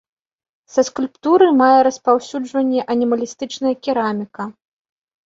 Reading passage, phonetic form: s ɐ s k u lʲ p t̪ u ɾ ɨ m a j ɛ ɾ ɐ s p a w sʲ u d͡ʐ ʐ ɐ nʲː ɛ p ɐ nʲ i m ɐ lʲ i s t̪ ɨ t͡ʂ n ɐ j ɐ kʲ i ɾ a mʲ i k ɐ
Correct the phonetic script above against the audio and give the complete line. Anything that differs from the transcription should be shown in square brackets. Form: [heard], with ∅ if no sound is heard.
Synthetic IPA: s ɐ s k u lʲ p t̪ u ɾ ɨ m a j ɛ ɾ ɐ s p a w sʲ u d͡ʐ [v] ɐ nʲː ɛ [ʔ] ɐ nʲ i m ɐ lʲ i s t̪ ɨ t͡ʂ n ɐ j ɐ kʲ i ɾ a mʲ i k ɐ